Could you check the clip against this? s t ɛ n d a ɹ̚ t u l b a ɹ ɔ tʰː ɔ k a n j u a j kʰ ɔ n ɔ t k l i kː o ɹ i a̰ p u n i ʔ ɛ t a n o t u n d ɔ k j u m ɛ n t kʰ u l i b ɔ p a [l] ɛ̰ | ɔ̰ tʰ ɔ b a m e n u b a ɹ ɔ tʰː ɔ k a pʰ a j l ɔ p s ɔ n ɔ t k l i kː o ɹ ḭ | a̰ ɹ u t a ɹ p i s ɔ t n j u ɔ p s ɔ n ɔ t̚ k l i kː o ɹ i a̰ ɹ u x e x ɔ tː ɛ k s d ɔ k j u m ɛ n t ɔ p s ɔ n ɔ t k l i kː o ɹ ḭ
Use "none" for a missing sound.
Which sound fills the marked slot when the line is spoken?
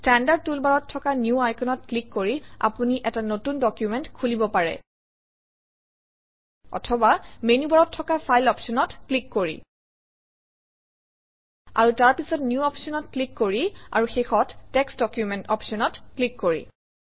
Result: ɹ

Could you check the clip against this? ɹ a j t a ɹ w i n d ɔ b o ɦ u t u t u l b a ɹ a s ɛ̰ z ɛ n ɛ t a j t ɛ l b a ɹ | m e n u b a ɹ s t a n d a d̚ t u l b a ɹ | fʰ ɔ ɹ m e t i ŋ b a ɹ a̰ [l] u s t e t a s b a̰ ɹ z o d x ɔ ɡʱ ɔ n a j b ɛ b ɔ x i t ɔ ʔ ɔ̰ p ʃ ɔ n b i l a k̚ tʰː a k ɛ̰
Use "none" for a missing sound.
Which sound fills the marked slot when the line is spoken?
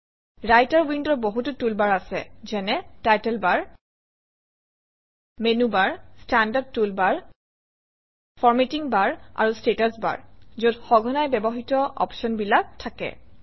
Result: ɹ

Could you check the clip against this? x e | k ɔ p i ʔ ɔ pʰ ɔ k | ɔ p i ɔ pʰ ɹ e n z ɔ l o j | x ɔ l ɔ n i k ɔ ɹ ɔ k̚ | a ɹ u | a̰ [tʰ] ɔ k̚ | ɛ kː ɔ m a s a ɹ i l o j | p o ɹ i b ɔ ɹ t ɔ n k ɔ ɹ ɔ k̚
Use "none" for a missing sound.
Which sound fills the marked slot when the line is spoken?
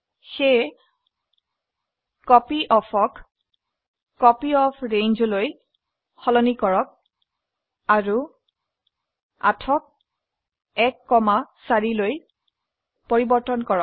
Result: tʰ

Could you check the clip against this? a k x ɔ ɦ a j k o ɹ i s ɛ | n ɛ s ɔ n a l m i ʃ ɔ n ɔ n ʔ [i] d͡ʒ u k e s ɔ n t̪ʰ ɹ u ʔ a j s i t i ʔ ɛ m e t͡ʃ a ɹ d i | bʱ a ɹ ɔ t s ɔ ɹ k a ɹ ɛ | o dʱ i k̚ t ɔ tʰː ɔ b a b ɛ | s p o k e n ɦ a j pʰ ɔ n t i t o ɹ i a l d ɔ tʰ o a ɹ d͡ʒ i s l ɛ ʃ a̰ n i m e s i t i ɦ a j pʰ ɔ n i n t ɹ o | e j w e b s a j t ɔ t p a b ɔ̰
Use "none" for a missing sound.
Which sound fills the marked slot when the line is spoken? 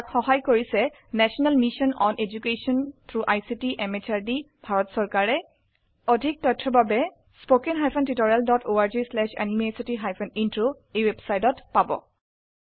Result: e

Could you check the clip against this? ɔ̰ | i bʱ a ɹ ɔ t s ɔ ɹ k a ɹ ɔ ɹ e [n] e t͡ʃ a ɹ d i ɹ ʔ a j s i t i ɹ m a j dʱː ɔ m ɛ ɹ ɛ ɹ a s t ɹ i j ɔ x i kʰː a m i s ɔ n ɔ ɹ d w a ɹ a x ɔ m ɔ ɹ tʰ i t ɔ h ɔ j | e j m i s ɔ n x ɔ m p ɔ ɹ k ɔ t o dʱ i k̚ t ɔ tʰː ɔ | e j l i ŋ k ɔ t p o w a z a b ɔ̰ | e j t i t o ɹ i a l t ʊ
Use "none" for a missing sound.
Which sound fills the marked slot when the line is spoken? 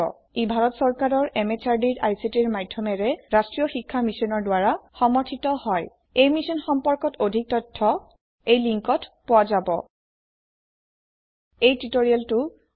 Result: m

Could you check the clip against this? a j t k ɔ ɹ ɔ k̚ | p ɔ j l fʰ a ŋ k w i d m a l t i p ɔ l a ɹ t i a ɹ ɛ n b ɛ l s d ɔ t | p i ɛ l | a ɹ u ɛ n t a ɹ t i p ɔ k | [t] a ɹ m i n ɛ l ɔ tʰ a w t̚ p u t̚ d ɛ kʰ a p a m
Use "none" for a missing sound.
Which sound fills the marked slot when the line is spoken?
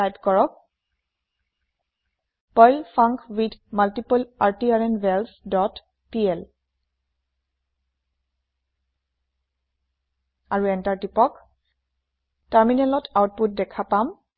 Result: t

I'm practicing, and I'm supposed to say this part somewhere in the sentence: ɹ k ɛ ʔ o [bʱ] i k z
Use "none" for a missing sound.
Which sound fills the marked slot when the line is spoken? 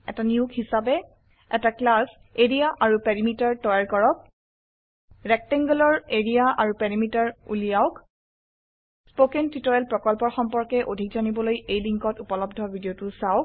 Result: dʱ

